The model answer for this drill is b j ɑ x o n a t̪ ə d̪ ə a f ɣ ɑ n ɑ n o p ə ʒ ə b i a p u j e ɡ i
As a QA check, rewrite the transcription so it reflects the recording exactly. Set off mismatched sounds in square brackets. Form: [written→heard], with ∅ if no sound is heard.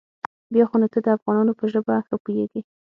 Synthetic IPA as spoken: b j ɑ x o n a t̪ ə d̪ ə a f ɣ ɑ n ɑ n o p ə ʒ ə b [i→a] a p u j e ɡ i